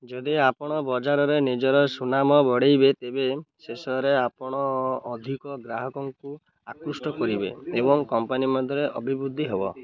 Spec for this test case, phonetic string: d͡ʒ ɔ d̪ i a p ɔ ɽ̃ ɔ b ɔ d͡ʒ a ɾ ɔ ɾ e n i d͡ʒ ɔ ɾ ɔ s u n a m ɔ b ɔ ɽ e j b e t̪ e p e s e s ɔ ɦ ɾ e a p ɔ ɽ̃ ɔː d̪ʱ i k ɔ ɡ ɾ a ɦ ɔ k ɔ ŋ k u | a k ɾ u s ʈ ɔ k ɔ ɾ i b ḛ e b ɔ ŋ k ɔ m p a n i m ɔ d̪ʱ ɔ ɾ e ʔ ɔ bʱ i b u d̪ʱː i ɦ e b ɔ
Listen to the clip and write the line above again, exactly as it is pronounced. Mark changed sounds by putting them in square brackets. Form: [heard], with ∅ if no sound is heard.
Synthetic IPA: d͡ʒ ɔ d̪ i a p ɔ ɽ̃ ɔ b ɔ d͡ʒ a ɾ ɔ ɾ e n i d͡ʒ ɔ ɾ ɔ s u n a m ɔ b ɔ ɽ e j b e t̪ e [b] e s e s ɔ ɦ ɾ e a p ɔ ɽ̃ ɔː d̪ʱ i k ɔ ɡ ɾ a ɦ ɔ k ɔ ŋ k u | a k ɾ u s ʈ ɔ k ɔ ɾ i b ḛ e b ɔ ŋ k ɔ m p a n i m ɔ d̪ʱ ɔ ɾ e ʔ ɔ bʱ i b u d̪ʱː i ɦ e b ɔ